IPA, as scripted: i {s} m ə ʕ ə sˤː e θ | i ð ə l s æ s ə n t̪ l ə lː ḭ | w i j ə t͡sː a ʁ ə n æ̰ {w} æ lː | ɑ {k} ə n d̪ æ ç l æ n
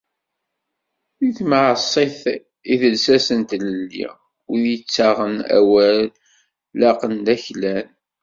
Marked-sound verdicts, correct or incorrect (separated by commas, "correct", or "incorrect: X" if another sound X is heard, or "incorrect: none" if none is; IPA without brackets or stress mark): incorrect: θ, correct, incorrect: q